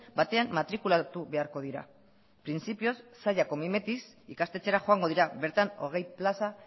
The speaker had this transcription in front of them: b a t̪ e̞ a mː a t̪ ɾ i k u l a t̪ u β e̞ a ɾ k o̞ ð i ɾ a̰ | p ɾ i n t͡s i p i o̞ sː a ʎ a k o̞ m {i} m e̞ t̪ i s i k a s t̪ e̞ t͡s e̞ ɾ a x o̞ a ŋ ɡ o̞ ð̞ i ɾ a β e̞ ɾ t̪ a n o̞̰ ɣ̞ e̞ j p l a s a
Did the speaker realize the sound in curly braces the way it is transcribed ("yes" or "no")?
yes